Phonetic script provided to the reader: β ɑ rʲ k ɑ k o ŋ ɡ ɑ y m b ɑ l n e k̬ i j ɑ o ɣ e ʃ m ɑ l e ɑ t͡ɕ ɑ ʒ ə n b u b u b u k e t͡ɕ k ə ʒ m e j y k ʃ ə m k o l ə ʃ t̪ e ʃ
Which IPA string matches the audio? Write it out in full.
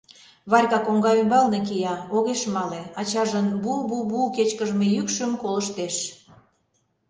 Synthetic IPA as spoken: β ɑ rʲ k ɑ k o ŋ ɡ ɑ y m b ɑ l n e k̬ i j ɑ o ɣ e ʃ m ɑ l e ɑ t͡ɕ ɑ ʒ ə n b u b u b u k e t͡ɕ k ə ʒ m e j y k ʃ ə m k o l ə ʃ t̪ e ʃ